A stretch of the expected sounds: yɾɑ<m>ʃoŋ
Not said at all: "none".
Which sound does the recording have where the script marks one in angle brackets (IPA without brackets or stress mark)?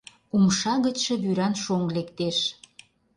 n